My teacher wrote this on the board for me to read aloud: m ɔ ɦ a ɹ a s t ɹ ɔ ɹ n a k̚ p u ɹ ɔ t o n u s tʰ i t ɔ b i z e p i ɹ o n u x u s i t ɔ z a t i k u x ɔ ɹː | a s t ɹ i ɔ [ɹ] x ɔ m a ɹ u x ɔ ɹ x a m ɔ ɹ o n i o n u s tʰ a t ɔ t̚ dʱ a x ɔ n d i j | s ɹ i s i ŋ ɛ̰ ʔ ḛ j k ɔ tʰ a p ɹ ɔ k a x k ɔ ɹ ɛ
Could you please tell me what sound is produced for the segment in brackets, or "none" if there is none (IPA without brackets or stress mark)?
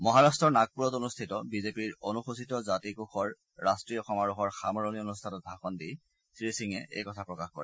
none